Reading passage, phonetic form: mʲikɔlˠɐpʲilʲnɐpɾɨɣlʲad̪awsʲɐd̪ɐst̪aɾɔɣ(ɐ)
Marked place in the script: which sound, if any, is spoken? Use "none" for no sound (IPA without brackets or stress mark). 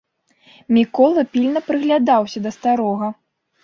ɐ